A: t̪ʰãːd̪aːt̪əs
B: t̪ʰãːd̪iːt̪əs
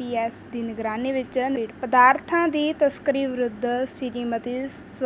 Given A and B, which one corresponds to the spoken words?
B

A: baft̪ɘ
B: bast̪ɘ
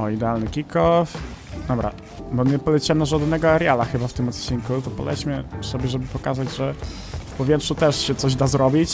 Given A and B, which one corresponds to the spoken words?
A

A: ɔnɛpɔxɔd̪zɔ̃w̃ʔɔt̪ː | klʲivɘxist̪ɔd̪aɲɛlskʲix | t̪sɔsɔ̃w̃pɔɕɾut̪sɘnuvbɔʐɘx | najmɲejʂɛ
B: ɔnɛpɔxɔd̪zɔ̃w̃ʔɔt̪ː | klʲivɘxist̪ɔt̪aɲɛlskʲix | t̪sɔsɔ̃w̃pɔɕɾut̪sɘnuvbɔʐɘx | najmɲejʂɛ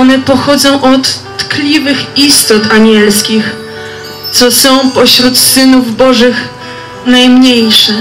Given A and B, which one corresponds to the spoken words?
B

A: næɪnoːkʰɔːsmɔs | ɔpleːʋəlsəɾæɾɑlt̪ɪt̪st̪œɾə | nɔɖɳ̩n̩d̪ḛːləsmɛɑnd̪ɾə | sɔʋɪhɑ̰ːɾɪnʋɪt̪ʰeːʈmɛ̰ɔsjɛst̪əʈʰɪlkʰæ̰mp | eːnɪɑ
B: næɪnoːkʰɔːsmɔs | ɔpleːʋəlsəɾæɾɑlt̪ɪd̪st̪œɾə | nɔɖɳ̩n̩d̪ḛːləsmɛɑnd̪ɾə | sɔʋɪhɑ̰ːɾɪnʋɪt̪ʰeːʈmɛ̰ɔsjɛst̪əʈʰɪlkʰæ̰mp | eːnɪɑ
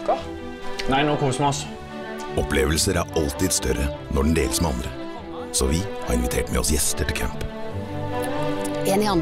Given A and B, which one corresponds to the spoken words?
B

